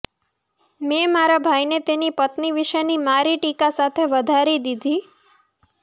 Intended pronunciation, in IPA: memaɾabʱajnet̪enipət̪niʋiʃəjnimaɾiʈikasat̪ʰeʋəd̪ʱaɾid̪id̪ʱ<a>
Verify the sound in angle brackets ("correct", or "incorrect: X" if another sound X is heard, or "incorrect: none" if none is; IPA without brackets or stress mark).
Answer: incorrect: i